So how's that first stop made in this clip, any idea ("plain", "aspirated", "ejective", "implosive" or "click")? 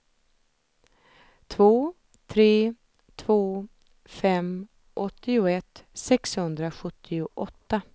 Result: aspirated